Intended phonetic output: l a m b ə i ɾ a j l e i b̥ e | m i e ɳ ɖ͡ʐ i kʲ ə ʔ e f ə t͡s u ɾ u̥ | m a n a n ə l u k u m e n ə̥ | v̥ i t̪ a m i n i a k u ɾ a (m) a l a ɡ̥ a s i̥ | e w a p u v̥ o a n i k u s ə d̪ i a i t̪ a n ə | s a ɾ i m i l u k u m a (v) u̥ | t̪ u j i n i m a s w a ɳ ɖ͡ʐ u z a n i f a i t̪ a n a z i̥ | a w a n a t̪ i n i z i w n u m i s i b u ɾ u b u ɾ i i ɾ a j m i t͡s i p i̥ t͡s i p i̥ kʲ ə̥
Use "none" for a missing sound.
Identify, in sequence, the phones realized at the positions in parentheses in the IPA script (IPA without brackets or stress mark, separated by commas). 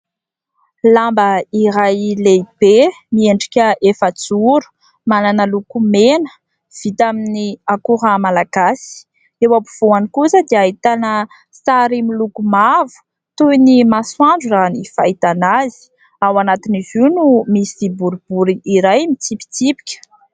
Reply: m, v